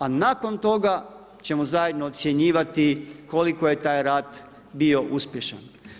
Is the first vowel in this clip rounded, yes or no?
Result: no